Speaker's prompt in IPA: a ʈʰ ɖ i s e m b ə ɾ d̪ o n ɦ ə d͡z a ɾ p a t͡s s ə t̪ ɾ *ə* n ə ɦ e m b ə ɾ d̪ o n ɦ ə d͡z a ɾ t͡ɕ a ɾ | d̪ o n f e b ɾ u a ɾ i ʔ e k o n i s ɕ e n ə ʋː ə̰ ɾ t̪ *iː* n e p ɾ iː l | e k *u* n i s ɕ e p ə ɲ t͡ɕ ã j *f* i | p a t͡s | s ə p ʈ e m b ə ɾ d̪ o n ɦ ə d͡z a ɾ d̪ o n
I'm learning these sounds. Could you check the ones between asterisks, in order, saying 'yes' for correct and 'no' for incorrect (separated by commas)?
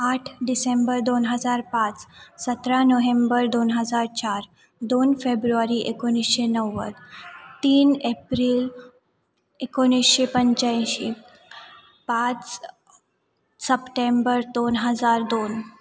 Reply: no, yes, no, no